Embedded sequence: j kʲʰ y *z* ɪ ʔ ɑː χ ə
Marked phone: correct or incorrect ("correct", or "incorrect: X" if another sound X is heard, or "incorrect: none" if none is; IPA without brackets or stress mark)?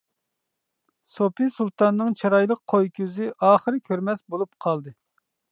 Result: correct